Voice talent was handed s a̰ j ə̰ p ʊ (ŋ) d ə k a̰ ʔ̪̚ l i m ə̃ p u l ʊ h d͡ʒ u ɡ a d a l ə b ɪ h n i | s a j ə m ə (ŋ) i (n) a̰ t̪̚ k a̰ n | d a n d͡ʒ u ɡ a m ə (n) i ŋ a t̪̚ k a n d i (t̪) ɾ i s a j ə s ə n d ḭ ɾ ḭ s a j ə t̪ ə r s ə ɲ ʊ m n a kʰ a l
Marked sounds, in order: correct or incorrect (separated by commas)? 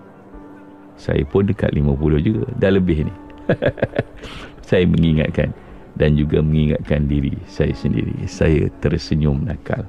incorrect, correct, incorrect, incorrect, incorrect